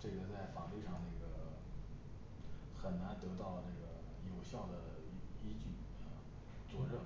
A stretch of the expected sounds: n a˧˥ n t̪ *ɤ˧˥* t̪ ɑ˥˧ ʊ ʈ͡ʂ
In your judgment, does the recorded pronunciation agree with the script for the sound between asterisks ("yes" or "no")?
yes